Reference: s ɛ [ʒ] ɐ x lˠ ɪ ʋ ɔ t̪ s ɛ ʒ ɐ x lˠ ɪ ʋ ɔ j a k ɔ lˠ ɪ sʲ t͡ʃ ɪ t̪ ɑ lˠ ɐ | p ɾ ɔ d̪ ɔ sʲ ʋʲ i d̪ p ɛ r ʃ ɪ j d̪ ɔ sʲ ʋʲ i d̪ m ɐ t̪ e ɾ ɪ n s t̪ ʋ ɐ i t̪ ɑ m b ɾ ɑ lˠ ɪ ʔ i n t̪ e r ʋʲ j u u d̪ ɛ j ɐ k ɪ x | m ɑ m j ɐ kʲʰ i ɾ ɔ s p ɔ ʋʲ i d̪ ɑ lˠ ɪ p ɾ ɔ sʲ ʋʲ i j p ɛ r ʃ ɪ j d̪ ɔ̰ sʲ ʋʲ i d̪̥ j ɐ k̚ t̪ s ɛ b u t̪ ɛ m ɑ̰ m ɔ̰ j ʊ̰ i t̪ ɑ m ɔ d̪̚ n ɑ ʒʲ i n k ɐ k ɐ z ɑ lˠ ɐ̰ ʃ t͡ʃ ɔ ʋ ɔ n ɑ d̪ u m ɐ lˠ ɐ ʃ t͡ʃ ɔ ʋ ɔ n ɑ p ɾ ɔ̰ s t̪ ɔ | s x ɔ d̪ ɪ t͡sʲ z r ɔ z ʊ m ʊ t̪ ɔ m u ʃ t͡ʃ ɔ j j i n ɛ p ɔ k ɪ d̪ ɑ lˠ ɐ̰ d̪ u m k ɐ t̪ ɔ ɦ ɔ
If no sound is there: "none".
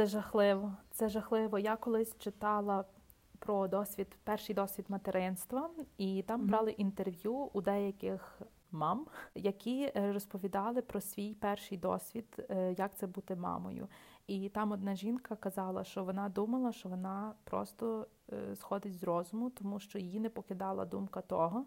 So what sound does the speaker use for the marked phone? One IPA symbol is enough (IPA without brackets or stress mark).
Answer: ʒ